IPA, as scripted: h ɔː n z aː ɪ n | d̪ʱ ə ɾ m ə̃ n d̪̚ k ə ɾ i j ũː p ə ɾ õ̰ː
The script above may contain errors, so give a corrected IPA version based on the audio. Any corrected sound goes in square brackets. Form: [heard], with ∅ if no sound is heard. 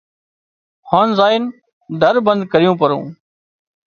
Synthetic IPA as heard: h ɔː n z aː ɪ n | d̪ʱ ə ɾ [b] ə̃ n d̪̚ k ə ɾ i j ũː p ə ɾ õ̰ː